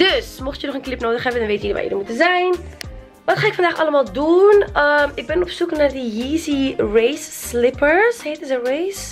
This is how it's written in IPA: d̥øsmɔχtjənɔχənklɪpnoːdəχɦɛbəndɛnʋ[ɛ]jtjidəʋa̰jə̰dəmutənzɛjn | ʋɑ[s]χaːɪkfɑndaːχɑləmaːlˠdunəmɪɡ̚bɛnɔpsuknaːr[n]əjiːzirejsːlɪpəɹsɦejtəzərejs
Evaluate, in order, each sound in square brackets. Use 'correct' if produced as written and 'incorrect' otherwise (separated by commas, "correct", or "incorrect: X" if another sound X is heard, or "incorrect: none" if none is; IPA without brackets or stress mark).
incorrect: e, incorrect: t, incorrect: d